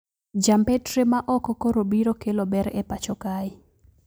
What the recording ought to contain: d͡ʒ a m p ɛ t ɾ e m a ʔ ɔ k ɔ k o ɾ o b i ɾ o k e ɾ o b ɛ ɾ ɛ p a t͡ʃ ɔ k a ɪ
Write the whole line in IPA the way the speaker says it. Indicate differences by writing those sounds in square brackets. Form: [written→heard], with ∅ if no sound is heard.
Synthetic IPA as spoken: d͡ʒ a m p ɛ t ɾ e m a ʔ ɔ k ɔ k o ɾ o b i ɾ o k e [ɾ→l] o b ɛ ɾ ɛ p a t͡ʃ ɔ k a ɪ

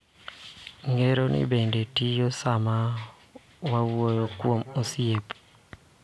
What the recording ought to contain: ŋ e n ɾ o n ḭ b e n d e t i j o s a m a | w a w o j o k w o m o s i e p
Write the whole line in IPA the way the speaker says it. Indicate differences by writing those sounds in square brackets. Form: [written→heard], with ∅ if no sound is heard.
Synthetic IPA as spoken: ŋ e [n→∅] ɾ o n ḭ b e n d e t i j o s a m a | w a w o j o k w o m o s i e p

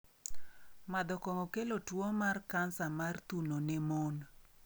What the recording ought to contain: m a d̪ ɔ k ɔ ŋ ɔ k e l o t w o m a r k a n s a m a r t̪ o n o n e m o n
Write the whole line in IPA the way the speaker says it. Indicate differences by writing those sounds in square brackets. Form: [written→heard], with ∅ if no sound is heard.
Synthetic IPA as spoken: m a d̪ ɔ k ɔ ŋ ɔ k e l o t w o m a r k a n s a m a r t̪ [o→u] n o n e m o n

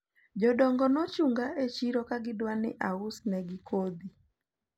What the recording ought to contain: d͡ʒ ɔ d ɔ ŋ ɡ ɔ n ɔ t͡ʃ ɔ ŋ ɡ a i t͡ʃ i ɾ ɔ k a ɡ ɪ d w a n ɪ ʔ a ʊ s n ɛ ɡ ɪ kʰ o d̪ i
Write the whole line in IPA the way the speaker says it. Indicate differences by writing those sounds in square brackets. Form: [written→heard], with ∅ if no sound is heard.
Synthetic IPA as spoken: d͡ʒ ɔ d ɔ ŋ ɡ ɔ n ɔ t͡ʃ [ɔ→u] ŋ ɡ a [i→e] t͡ʃ i ɾ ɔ k a ɡ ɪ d w a n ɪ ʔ a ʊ s n ɛ ɡ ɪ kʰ o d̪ i

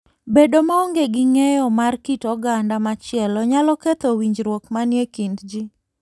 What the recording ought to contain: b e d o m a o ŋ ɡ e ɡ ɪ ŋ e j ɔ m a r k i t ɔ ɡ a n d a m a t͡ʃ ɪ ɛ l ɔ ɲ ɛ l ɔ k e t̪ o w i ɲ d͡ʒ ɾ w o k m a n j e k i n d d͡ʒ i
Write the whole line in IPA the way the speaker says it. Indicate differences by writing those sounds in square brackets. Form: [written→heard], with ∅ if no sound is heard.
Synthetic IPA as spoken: b e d o m a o ŋ ɡ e ɡ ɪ ŋ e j ɔ m a r k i t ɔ ɡ a n d a m a t͡ʃ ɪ ɛ l ɔ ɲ [ɛ→a] l ɔ k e t̪ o w i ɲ d͡ʒ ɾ w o k m a n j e k i n d d͡ʒ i

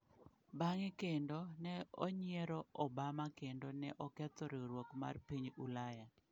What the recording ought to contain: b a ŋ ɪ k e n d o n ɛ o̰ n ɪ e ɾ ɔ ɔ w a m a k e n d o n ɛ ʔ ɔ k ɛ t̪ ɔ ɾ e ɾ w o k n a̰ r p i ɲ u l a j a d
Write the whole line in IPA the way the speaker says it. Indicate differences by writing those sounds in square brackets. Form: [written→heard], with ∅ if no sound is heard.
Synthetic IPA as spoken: b a ŋ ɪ k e n d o n ɛ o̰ [n→ɲ] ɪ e ɾ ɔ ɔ [w→b] a m a k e n d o n ɛ ʔ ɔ k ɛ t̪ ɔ ɾ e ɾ w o k [n→m] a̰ r p i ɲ u l a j a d

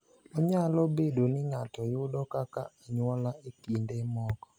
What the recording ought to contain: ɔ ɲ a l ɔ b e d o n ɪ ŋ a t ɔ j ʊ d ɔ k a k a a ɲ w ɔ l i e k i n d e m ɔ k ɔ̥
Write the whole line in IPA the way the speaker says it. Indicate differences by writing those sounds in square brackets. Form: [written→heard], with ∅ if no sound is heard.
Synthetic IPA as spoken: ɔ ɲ a l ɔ b e d o n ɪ ŋ a t ɔ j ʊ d ɔ k a k a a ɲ w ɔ l [i→a] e k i n d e m ɔ k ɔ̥

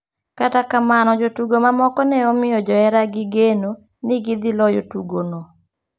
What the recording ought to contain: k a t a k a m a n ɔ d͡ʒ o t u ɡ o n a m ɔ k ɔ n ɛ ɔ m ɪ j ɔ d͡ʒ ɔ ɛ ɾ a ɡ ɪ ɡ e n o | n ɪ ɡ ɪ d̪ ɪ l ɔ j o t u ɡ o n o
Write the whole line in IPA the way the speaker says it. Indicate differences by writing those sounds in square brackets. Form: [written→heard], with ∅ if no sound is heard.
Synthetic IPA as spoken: k a t a k a m a n ɔ d͡ʒ o t u ɡ o [n→m] a m ɔ k ɔ n ɛ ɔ m ɪ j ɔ d͡ʒ ɔ ɛ ɾ a ɡ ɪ ɡ e n o | n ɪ ɡ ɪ d̪ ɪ l ɔ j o t u ɡ o n o

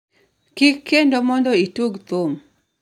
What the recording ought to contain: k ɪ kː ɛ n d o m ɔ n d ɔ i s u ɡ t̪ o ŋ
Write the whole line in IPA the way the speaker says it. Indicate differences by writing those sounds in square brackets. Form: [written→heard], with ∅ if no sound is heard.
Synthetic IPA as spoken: k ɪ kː [ɛ→e] n d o m ɔ n d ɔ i [s→t] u ɡ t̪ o [ŋ→m]

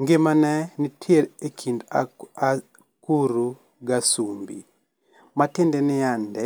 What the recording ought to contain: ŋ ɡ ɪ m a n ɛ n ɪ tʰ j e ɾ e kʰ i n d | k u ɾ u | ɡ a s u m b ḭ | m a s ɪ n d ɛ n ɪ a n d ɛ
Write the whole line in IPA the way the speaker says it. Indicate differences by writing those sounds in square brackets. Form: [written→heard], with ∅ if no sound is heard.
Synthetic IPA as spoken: ŋ ɡ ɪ m a n ɛ n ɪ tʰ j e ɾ e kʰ i n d | k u ɾ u | ɡ a s u m b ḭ | m a [s→t] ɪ n d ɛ n ɪ a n d ɛ

